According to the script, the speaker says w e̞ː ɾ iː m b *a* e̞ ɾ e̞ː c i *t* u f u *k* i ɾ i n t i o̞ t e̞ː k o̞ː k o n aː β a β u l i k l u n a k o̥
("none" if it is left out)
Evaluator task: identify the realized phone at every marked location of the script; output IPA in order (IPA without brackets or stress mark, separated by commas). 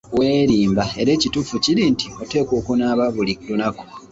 a, t, c